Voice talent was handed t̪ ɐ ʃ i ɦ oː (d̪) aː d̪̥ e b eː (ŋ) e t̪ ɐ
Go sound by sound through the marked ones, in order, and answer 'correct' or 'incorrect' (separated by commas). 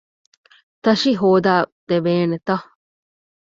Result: correct, incorrect